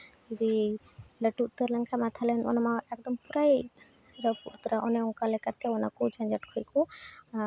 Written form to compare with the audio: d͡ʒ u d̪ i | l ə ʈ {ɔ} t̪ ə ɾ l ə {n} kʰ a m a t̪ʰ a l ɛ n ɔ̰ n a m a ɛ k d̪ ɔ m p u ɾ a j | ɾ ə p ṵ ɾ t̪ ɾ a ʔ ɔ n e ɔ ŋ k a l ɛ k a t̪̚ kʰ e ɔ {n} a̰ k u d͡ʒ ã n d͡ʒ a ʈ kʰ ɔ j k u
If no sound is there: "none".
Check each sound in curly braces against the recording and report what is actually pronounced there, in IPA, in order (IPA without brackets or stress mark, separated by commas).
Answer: u, ŋ, n